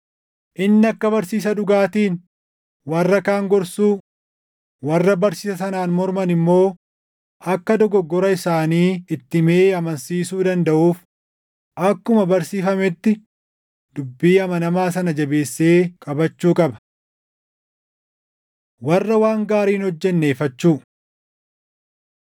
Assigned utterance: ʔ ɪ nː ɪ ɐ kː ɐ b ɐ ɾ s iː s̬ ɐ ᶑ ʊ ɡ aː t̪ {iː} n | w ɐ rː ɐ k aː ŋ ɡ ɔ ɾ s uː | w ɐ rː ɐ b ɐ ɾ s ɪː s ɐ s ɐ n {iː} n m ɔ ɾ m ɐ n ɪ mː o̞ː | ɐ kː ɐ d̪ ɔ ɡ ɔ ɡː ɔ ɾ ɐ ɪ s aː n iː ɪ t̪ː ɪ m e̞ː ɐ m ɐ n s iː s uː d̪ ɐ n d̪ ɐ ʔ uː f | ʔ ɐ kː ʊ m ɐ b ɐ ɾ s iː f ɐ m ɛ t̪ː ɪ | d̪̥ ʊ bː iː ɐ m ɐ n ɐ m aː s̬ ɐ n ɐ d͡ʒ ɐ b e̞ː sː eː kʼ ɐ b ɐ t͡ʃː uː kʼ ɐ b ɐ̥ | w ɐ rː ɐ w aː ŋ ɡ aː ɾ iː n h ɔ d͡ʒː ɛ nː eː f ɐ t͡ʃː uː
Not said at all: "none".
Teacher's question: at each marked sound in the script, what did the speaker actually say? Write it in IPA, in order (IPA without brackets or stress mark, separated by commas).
iː, aː